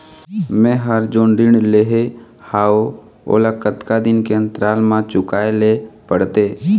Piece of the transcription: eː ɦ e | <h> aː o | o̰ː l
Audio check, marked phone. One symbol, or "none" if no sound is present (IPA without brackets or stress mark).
h